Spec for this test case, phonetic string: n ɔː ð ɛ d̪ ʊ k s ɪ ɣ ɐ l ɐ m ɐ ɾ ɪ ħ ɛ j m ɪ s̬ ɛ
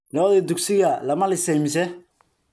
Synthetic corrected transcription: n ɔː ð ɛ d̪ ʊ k s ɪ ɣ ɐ l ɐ m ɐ l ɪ s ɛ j m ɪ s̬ ɛ